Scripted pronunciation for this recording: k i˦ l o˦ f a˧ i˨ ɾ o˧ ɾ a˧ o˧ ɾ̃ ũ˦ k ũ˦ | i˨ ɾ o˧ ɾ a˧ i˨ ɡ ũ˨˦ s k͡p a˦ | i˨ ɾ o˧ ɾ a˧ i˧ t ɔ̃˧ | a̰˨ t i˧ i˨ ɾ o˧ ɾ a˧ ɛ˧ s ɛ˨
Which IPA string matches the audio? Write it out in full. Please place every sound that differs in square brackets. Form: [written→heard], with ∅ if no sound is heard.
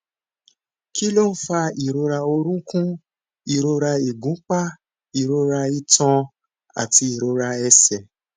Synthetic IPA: k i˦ l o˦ f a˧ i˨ ɾ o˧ ɾ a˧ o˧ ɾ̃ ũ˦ k ũ˦ | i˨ ɾ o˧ ɾ a˧ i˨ ɡ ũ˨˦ [s→∅] k͡p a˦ | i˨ ɾ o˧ ɾ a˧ i˧ t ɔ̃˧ | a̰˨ t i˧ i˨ ɾ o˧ ɾ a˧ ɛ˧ s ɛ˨